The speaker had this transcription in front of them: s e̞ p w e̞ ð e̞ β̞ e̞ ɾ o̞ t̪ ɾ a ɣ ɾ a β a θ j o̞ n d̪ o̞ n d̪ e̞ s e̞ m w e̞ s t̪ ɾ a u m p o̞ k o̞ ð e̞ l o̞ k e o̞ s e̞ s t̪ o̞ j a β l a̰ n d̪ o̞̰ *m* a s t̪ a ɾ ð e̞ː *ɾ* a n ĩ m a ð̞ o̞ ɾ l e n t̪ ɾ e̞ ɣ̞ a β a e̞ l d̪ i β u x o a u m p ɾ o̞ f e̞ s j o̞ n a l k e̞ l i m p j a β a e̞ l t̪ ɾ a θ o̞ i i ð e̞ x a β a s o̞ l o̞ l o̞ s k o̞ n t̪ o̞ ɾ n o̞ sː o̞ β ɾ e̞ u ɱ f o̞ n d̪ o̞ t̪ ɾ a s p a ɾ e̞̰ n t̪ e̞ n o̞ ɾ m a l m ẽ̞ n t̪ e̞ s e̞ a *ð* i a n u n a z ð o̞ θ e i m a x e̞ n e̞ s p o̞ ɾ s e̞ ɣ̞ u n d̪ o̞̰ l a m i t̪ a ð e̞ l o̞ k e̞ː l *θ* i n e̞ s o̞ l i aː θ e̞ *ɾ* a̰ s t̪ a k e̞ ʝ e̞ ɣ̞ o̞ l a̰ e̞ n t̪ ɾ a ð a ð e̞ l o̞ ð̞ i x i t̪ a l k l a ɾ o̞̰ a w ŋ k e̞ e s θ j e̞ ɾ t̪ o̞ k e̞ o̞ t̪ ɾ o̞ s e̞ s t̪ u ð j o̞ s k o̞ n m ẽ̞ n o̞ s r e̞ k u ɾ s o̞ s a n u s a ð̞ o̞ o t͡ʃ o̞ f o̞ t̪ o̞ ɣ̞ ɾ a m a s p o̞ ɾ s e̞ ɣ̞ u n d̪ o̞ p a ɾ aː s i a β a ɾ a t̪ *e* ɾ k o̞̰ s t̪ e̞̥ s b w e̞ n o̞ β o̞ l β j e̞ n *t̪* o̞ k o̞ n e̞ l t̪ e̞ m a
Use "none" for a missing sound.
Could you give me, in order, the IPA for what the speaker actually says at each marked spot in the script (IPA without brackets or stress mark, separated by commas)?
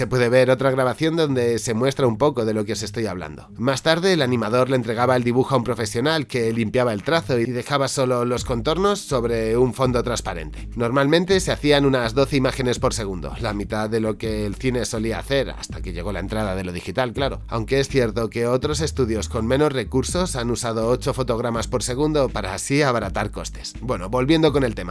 m, l, θ, θ, ɾ, a, d̪